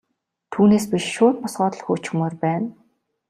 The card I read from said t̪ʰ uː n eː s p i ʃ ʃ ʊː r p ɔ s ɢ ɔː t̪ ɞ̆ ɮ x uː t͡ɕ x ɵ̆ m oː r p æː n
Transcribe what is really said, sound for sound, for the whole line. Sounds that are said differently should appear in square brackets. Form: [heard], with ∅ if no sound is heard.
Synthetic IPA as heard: t̪ʰ uː n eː s p i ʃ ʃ ʊː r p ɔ s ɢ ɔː t̪ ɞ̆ ɮ x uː t͡ɕ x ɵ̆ m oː r p æː n